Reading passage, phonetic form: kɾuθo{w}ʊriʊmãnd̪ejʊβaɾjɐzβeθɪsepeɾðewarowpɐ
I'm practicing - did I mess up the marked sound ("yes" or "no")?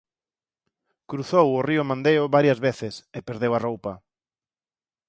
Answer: no